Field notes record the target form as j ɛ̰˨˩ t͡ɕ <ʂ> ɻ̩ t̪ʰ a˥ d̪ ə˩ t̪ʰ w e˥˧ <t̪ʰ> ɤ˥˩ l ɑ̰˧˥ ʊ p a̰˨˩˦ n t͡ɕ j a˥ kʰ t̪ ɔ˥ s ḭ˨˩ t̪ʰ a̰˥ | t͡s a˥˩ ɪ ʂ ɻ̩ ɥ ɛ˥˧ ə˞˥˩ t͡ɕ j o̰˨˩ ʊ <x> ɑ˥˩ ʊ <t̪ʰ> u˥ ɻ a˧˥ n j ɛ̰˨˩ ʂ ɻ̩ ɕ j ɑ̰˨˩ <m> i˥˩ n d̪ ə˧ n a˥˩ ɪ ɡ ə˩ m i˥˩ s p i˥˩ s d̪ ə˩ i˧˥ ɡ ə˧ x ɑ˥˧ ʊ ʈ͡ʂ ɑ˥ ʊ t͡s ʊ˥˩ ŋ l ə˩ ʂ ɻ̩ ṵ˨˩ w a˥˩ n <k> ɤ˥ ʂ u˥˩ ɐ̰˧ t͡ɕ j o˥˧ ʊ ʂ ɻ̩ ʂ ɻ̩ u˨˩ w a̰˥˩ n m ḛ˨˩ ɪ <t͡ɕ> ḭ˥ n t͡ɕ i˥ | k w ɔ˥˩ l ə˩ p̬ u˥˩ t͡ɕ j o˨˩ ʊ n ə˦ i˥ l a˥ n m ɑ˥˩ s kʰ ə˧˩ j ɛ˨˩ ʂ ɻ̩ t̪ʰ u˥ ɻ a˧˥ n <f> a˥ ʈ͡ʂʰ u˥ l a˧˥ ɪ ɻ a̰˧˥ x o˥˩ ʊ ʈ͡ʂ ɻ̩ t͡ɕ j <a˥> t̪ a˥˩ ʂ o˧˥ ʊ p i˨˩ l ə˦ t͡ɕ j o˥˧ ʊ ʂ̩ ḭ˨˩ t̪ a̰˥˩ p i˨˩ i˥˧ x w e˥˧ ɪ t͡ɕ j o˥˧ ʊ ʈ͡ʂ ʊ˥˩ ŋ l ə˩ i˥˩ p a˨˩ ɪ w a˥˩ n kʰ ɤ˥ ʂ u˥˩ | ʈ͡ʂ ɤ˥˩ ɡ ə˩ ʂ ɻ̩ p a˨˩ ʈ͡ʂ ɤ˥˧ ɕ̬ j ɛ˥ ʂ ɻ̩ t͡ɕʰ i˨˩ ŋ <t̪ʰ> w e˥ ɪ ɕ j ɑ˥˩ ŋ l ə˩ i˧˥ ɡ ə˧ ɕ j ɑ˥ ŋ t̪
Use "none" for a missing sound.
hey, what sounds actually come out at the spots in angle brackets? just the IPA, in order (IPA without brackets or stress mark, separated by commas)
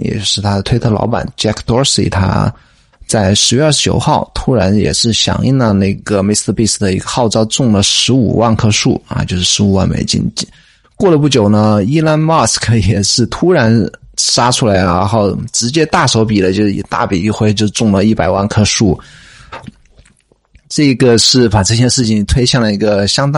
ʂ, t̪ʰ, x, t̪ʰ, ŋ, kʰ, t͡ɕ, ʂ, ɛ˥, t̪ʰ